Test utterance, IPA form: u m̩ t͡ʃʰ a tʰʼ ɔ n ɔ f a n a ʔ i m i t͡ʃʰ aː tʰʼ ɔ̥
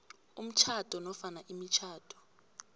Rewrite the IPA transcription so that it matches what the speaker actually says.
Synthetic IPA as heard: u m̩ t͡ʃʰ a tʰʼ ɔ n ɔ f a n a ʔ i m i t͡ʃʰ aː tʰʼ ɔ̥